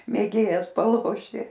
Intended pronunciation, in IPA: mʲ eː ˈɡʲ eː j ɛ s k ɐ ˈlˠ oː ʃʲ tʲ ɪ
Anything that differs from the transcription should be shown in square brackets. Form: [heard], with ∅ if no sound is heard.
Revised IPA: mʲ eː ˈɡʲ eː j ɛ s [p] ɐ ˈlˠ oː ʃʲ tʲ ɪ